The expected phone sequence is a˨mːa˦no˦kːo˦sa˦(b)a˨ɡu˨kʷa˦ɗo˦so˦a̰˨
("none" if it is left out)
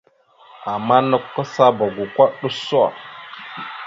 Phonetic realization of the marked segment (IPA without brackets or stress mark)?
b